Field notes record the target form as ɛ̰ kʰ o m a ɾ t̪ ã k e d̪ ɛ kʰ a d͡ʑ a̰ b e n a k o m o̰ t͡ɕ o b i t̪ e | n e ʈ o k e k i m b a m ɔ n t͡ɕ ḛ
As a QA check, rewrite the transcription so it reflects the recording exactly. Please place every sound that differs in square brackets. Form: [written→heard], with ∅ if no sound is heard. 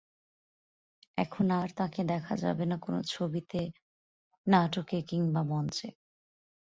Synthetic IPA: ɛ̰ kʰ o [m→n] a ɾ t̪ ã k e d̪ ɛ kʰ a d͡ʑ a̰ b e n a k o [m→n] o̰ [t͡ɕ→t͡ɕʰ] o b i t̪ e | n [e→a] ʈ o k e k i [m→ŋ] b a m ɔ n t͡ɕ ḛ

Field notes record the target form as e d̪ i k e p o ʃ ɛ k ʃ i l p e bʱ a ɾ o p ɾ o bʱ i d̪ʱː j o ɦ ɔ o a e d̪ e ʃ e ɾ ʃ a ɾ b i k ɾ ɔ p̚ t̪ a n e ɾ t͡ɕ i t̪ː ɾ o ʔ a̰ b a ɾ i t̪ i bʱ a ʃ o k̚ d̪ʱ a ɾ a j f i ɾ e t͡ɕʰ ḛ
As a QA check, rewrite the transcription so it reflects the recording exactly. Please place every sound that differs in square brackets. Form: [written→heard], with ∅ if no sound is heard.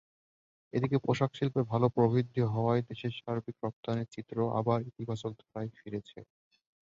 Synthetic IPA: e d̪ i k e p o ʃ [ɛ→a] k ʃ i l p e bʱ a [ɾ→l] o p ɾ o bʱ i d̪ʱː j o ɦ ɔ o a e d̪ e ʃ e ɾ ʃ a ɾ b i k ɾ ɔ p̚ t̪ a n e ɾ t͡ɕ i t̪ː ɾ o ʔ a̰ b a ɾ i t̪ i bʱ a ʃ o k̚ d̪ʱ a ɾ a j f i ɾ e t͡ɕʰ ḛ

